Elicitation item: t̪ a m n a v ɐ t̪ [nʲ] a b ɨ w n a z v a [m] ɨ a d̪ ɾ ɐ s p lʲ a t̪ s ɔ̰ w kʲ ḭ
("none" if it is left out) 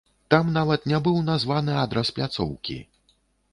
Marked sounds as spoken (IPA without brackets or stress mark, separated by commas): nʲ, n